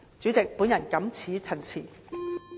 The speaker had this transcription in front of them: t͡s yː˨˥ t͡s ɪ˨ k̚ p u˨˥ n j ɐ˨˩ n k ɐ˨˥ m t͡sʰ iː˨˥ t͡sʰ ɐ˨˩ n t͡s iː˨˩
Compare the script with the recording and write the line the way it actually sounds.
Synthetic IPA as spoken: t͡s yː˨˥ t͡s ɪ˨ k̚ p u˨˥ n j ɐ˨˩ n k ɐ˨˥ m t͡sʰ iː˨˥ t͡sʰ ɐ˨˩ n t͡sʰ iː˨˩

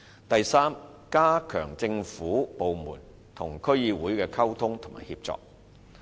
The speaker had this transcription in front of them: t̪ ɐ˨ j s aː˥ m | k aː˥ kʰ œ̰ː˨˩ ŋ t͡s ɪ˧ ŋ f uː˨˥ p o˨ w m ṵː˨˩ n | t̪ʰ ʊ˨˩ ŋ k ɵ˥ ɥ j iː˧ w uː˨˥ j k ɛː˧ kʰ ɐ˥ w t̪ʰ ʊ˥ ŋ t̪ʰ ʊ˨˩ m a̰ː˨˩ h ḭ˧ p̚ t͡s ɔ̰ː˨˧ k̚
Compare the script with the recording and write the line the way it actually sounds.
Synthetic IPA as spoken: t̪ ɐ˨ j s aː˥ m | k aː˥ kʰ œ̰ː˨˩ ŋ t͡s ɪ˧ ŋ f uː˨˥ p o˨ w m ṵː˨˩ n | t̪ʰ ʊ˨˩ ŋ kʰ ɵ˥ ɥ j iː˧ w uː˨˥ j k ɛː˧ kʰ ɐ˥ w t̪ʰ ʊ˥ ŋ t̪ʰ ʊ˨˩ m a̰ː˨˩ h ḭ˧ p̚ t͡s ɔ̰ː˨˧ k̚

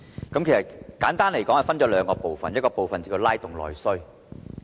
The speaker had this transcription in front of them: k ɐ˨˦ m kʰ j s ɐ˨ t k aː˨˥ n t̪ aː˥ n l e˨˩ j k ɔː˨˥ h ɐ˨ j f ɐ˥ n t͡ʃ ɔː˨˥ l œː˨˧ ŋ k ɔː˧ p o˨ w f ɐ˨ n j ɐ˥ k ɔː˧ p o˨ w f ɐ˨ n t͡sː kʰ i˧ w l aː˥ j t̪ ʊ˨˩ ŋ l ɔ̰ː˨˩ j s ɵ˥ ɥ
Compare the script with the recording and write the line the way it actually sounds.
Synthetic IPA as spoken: k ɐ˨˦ m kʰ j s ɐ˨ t k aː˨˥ n t̪ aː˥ n l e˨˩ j k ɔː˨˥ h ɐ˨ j f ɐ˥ n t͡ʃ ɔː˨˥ l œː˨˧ ŋ k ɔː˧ p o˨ w f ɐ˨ n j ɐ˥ k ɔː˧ p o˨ w f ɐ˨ n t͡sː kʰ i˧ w l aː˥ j t̪ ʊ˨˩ ŋ l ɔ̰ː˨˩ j s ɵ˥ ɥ

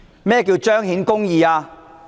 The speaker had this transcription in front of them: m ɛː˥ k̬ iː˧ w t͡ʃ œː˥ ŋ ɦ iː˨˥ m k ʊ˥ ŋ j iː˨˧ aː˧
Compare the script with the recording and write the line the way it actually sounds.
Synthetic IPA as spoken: m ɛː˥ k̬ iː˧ w t͡ʃ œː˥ ŋ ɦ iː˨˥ n k ʊ˥ ŋ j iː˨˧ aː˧

